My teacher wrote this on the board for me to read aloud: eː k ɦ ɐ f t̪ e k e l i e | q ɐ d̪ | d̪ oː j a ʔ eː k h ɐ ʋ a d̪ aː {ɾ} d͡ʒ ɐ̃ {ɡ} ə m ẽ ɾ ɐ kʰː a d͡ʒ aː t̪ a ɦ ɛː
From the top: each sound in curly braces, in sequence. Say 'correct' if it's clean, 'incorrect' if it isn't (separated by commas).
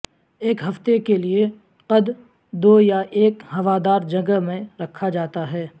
correct, correct